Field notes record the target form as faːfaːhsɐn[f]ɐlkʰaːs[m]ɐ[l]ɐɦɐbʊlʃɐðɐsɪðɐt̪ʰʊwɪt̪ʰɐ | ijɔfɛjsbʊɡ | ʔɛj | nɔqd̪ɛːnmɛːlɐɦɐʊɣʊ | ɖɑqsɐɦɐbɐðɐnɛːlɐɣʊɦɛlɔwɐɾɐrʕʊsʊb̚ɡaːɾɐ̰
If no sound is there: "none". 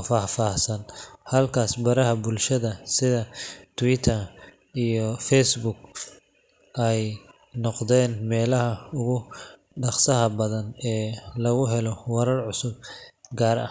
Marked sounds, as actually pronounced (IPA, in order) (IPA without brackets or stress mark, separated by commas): h, b, ɾ